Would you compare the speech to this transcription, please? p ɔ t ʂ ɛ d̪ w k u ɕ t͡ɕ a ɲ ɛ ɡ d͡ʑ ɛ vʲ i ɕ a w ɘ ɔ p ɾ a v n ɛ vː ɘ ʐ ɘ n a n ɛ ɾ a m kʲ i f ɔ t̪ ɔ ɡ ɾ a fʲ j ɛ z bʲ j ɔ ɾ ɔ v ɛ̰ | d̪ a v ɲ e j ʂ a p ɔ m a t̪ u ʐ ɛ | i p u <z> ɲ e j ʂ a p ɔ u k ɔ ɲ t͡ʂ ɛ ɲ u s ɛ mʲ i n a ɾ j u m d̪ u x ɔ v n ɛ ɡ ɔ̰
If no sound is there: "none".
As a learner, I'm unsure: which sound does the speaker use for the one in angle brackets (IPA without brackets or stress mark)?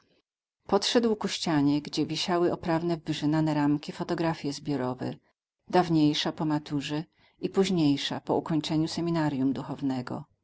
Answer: ʑ